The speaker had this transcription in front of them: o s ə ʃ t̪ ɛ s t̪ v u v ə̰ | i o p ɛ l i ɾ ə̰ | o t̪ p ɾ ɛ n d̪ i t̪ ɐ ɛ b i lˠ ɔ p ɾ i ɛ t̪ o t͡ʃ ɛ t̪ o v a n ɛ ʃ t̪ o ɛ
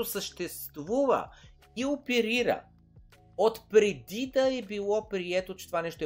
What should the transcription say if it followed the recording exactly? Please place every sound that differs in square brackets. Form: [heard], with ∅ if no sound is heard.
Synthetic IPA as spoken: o s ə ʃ t̪ ɛ s t̪ v u v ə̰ | i o p ɛ [ɾ] i ɾ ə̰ | o t̪ p ɾ ɛ [∅] d̪ i [d̪] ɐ ɛ b i lˠ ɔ p ɾ i ɛ t̪ o t͡ʃ ɛ t̪ o v a n ɛ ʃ t̪ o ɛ